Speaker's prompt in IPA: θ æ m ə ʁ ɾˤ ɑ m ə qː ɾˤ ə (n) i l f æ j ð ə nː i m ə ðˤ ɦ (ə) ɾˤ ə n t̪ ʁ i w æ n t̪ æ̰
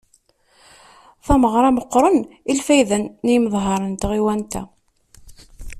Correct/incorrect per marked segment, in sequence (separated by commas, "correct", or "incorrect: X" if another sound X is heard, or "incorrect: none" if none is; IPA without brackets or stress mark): correct, incorrect: ɑ